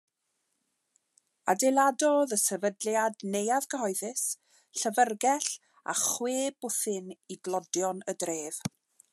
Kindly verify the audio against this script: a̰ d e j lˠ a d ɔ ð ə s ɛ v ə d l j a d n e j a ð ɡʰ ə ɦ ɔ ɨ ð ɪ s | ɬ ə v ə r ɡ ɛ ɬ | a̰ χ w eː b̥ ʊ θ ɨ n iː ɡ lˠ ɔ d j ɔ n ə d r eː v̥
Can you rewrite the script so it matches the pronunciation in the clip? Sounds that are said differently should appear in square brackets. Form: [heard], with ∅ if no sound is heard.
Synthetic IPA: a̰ d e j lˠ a d ɔ ð ə s ɛ v ə d l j a d n e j a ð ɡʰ ə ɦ ɔ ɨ ð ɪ s | ɬ ə v ə r ɡ ɛ ɬ | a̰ χ w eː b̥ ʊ θ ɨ n [i] ɡ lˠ ɔ d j ɔ n ə d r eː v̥

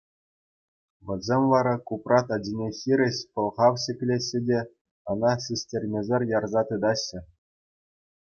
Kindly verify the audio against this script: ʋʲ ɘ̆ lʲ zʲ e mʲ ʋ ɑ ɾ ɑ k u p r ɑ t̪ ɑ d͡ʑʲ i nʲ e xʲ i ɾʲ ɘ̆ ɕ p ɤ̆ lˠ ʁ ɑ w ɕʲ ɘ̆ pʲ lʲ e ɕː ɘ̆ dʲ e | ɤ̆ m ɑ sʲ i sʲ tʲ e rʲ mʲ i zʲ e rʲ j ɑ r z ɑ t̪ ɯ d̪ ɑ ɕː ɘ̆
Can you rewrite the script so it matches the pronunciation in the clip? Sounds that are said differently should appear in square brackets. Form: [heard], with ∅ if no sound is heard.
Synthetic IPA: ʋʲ ɘ̆ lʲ zʲ e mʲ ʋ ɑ ɾ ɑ k u p r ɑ t̪ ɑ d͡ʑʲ i nʲ e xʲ i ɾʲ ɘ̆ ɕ p ɤ̆ lˠ ʁ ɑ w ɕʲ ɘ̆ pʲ lʲ e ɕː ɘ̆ dʲ e | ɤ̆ [n] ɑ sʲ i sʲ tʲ e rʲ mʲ [e] zʲ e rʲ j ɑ r z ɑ t̪ ɯ d̪ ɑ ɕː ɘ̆

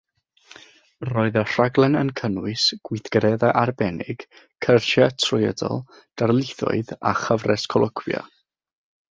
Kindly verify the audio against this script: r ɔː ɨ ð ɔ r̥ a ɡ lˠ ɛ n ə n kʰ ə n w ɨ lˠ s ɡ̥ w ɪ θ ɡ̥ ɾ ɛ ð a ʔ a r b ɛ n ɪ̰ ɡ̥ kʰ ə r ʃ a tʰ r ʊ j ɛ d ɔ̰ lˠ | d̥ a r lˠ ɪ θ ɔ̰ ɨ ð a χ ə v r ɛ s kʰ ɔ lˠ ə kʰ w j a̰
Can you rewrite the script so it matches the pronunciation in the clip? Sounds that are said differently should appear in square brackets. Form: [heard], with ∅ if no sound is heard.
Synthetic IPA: r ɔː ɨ ð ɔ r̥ a ɡ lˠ ɛ n ə n kʰ ə n w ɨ [∅] s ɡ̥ w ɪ θ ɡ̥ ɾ ɛ ð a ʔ a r b ɛ n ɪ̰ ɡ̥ kʰ ə r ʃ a tʰ r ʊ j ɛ d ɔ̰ lˠ | d̥ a r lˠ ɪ θ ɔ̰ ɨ ð a χ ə v r ɛ s kʰ ɔ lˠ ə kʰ w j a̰

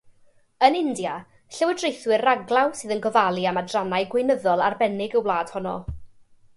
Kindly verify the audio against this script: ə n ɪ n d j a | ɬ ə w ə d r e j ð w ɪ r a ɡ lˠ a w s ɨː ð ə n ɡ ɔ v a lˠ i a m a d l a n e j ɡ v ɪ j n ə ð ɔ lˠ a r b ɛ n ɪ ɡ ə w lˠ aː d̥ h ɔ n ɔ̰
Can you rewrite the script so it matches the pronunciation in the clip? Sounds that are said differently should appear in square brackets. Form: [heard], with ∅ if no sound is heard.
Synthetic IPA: ə n ɪ n d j a | ɬ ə w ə d r e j [θ] w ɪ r a ɡ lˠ a w s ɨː ð ə n ɡ ɔ v a lˠ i a m a d [r] a n [a] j ɡ [w] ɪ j n ə ð ɔ lˠ a r b ɛ n ɪ ɡ ə w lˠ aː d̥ h ɔ n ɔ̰

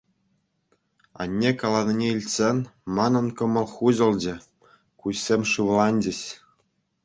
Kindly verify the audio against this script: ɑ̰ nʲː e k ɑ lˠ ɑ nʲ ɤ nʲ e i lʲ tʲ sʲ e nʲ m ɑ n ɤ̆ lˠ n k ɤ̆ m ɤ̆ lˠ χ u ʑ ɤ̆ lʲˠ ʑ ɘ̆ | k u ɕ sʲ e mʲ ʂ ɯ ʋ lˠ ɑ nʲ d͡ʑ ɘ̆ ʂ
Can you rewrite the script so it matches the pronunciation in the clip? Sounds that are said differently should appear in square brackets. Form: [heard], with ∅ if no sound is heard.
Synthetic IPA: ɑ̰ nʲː e k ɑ lˠ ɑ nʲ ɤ nʲ e i lʲ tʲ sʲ e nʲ m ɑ n ɤ̆ [∅] n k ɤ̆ m ɤ̆ lˠ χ u ʑ ɤ̆ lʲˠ [d͡ʑ] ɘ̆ | k u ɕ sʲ e mʲ ʂ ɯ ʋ lˠ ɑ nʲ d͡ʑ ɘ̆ [ɕ]

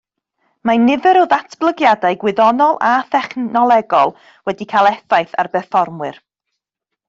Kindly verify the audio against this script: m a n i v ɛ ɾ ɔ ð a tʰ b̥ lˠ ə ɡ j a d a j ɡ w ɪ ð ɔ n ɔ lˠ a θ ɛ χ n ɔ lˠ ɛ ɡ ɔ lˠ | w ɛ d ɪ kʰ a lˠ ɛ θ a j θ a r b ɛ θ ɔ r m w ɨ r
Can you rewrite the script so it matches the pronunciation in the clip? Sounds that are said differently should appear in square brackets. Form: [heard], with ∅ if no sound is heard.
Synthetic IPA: m a n [ɪ] v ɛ ɾ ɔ ð a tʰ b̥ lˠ ə ɡ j a d a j ɡ w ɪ ð ɔ n ɔ lˠ a θ ɛ χ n ɔ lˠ ɛ ɡ ɔ lˠ | w ɛ d [i] kʰ a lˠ ɛ θ a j θ a r b ɛ [f] ɔ r m w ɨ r

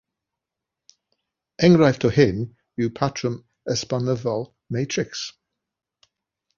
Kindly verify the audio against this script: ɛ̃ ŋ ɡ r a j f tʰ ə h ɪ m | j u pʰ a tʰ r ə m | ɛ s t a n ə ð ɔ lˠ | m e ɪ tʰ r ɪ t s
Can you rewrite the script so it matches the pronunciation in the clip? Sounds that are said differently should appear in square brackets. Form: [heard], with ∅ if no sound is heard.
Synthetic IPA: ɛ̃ ŋ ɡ [ɹ] a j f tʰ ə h ɪ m | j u pʰ a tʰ [ɹ] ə m | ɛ s [p] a n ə [v] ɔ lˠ | m e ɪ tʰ [ɹ] ɪ [k] s

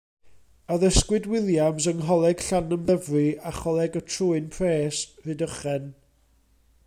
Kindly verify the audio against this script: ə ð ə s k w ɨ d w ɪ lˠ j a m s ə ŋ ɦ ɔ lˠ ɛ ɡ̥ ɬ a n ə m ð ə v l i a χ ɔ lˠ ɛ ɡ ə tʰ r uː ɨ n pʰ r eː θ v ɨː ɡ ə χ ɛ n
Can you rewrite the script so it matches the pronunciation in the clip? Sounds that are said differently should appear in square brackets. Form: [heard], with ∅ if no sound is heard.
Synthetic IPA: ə ð ə s k w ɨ d w ɪ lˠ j a m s ə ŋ ɦ ɔ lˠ ɛ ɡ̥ ɬ a n ə m ð ə v [r] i a χ ɔ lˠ ɛ ɡ ə tʰ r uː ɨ n pʰ r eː [s] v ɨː [d] ə χ ɛ n

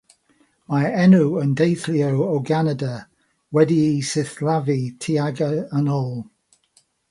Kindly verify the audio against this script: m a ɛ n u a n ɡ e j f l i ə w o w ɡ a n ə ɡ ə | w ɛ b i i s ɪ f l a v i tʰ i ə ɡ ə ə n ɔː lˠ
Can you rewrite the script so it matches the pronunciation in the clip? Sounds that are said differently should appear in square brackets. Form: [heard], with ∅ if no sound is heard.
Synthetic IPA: m a ɛ n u [ə] n [d] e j [θ] l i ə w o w ɡ a n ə [d] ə | w ɛ [d] i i s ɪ [θ] l a v i tʰ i [a] ɡ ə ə n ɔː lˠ

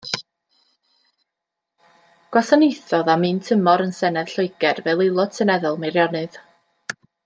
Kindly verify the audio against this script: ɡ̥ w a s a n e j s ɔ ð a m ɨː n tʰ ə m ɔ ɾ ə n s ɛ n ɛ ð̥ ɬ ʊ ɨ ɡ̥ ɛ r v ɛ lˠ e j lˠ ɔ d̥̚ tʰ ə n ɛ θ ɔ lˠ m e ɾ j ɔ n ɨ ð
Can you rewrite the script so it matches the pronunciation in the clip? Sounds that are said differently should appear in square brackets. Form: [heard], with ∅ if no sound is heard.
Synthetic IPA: ɡ̥ w a s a n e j [θ] ɔ ð a m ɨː n tʰ ə m ɔ ɾ ə n s ɛ n ɛ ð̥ ɬ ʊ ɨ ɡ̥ ɛ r v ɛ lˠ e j lˠ ɔ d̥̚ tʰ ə n ɛ [ð] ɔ lˠ m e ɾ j ɔ n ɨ ð

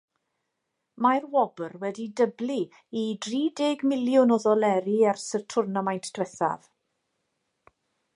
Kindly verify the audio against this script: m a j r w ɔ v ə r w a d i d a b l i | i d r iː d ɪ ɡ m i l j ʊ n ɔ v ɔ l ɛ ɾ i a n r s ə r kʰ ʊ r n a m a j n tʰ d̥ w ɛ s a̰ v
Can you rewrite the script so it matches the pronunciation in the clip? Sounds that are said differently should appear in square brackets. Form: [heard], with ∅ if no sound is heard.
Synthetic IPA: m a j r w ɔ [b] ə r w [ɛ] d i d [ə] b l i | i d r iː d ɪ ɡ m [ɪ] l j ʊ n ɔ [ð] ɔ l ɛ ɾ i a [∅] r s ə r [tʰ] ʊ r n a m a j n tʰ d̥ w ɛ [θ] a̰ v

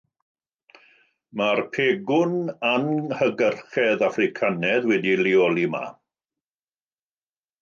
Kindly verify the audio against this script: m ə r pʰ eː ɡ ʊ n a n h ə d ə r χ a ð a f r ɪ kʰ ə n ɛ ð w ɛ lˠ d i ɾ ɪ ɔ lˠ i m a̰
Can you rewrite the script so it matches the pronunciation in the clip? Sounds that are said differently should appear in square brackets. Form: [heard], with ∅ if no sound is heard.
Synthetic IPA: m [a] r pʰ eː ɡ ʊ n a n h ə [ɡ] ə r χ [ɛ] ð a f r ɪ kʰ [a] n ɛ ð w ɛ [∅] d i [l] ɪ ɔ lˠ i m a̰

